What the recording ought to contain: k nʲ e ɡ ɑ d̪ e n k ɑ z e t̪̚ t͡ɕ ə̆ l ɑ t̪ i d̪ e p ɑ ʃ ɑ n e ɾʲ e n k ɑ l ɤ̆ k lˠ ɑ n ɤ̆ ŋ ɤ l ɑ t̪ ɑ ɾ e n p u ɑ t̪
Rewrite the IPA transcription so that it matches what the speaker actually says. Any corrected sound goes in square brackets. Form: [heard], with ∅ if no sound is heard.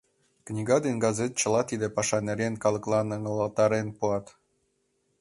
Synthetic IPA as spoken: k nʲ [i] ɡ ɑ d̪ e n [ɡ] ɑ z e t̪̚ t͡ɕ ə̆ l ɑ t̪ i d̪ e p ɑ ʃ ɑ n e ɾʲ e n k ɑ l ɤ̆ k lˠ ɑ n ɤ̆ ŋ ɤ l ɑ t̪ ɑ ɾ e n p u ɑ t̪